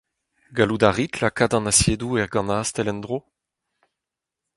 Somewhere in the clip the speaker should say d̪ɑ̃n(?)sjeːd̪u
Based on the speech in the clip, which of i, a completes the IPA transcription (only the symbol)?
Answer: a